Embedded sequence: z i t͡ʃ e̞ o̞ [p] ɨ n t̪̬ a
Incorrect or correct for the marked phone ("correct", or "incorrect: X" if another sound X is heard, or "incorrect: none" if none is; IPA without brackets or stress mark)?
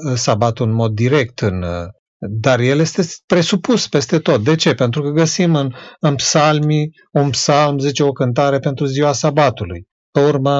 incorrect: k